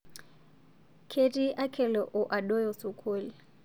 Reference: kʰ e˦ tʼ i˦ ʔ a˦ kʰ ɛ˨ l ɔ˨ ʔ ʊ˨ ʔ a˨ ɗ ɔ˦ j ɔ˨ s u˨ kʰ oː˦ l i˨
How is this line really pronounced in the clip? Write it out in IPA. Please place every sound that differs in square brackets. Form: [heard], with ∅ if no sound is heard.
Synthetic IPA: kʰ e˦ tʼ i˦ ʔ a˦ kʰ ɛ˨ l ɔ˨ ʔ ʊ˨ ʔ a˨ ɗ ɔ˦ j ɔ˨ s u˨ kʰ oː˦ l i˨